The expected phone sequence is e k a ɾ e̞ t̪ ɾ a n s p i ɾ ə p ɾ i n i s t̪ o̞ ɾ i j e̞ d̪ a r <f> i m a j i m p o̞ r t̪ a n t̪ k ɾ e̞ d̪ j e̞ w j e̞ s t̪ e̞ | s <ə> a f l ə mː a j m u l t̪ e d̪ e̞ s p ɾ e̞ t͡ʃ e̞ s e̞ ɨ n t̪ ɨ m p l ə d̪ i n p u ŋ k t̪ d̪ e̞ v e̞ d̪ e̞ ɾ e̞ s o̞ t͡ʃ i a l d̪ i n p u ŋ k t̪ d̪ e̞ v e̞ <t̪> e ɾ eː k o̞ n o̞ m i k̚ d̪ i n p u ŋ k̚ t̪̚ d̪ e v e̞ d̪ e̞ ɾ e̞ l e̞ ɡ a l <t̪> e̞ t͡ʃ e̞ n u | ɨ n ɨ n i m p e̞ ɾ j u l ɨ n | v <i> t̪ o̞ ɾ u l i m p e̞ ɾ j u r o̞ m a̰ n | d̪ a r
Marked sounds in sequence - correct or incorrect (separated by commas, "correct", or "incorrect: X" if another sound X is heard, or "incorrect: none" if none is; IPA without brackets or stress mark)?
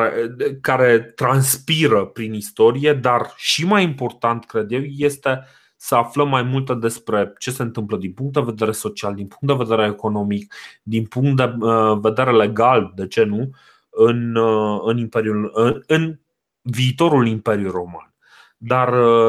incorrect: ʃ, correct, incorrect: d̪, incorrect: d̪, incorrect: iː